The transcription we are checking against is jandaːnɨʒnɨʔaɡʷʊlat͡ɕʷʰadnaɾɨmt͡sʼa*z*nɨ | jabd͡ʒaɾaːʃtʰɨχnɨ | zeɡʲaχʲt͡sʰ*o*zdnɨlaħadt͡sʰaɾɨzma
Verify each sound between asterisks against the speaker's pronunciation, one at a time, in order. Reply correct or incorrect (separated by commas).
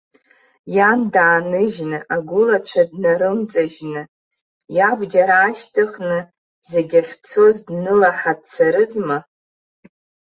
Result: incorrect, correct